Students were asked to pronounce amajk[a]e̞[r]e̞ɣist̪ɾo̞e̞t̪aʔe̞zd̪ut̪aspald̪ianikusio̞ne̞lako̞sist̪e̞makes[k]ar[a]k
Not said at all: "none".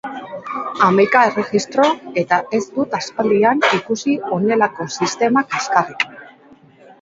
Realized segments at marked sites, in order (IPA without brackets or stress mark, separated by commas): a, r, k, i